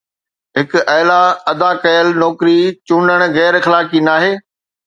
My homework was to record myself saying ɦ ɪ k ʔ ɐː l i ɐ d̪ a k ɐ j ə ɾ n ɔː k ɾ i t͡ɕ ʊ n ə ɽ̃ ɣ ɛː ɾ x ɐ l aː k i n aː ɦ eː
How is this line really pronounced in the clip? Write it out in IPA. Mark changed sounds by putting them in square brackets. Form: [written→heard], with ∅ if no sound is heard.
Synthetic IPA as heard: ɦ ɪ k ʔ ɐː l [i→a] ɐ d̪ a k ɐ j ə [ɾ→l] n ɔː k ɾ i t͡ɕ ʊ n ə ɽ̃ ɣ ɛː ɾ x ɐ l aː k i n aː ɦ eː